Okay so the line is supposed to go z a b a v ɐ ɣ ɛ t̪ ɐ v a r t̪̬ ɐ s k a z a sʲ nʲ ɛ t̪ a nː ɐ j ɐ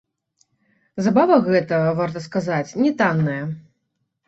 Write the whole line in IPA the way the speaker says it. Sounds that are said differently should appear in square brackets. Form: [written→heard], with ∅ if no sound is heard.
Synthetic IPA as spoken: z a b a v ɐ ɣ ɛ t̪ ɐ v a r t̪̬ ɐ s k a z a [sʲ→t͡sʲ] nʲ ɛ t̪ a nː ɐ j ɐ

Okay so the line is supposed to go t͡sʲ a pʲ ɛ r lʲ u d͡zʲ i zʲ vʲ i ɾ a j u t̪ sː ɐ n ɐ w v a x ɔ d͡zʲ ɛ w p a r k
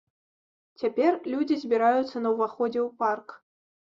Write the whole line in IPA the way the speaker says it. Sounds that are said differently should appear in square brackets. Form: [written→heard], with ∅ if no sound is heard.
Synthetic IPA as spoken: t͡sʲ a pʲ ɛ r lʲ u d͡zʲ i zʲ [vʲ→bʲ] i ɾ a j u t̪ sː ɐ n ɐ w v a x ɔ d͡zʲ ɛ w p a r k

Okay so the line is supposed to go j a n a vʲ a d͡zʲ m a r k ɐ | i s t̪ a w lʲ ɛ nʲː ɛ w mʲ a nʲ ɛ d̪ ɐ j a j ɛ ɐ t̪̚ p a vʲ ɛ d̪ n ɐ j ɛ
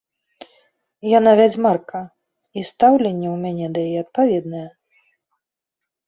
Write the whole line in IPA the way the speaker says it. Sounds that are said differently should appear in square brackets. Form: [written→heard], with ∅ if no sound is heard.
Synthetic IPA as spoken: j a n a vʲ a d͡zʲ m a r k ɐ | i s t̪ a w lʲ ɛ nʲː ɛ w mʲ a nʲ ɛ d̪ ɐ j a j ɛ ɐ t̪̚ p a vʲ ɛ d̪ n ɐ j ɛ

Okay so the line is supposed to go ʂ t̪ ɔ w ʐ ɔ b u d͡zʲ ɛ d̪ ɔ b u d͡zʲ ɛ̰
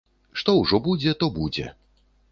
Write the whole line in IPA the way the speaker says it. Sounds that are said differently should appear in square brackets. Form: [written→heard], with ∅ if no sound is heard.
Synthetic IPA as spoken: ʂ t̪ ɔ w ʐ ɔ b u d͡zʲ ɛ [d̪→t̪] ɔ b u d͡zʲ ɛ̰

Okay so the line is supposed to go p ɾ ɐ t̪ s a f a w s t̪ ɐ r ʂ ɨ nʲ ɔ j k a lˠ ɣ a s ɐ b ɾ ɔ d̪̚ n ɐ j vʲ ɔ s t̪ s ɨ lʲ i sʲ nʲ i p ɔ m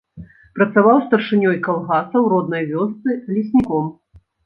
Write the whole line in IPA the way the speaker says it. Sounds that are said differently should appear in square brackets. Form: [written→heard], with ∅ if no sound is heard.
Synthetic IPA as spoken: p ɾ ɐ t̪ s a [f→v] a w s t̪ ɐ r ʂ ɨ nʲ ɔ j k a lˠ ɣ a s ɐ [b→w] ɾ ɔ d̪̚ n ɐ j vʲ ɔ s t̪ s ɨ lʲ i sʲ nʲ i [p→k] ɔ m

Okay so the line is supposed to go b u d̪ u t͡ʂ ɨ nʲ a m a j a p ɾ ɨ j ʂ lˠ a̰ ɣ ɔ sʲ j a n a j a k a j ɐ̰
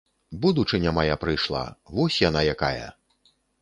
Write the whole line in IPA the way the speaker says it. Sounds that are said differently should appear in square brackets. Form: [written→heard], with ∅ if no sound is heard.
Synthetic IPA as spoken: b u d̪ u t͡ʂ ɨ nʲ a m a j a p ɾ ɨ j ʂ lˠ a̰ [ɣ→v] ɔ sʲ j a n a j a k a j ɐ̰

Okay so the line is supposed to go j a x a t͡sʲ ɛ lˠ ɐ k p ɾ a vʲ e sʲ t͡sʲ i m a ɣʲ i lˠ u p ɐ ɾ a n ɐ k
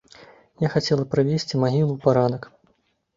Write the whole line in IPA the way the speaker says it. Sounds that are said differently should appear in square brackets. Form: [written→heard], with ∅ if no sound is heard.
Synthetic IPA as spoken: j a x a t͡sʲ ɛ lˠ ɐ [k→∅] p ɾ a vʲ e sʲ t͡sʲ i m a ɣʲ i lˠ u p [ɐ→a] ɾ a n ɐ k

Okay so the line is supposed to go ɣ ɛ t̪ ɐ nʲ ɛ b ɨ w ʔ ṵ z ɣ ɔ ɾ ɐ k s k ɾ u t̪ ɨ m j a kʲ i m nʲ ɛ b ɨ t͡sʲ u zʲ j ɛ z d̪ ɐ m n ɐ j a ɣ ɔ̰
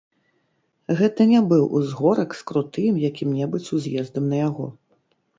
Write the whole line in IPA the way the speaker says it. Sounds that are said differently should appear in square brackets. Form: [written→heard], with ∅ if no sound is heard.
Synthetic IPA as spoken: ɣ ɛ t̪ ɐ nʲ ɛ b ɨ w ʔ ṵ z ɣ ɔ ɾ ɐ k s k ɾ u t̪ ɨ m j a kʲ i m nʲ ɛ b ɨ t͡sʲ u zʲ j ɛ z d̪ ɐ m n ɐ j a ɣ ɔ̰

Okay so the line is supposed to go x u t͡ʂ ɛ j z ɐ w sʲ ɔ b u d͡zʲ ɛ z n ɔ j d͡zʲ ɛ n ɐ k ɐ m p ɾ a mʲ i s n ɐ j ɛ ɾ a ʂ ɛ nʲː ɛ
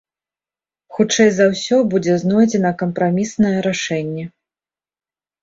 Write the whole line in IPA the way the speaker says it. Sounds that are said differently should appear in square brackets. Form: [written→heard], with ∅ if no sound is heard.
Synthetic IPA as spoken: x u t͡ʂ ɛ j z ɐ w sʲ ɔ b u d͡zʲ ɛ z n ɔ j d͡zʲ ɛ n ɐ k ɐ m p ɾ a mʲ i s n ɐ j ɛ ɾ a ʂ ɛ nʲː ɛ

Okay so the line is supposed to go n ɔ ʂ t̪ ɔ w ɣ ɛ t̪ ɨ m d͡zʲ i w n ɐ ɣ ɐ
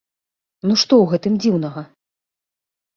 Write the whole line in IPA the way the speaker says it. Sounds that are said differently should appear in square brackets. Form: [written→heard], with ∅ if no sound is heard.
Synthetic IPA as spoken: n [ɔ→u] ʂ t̪ ɔ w ɣ ɛ t̪ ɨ m d͡zʲ i w n ɐ ɣ ɐ

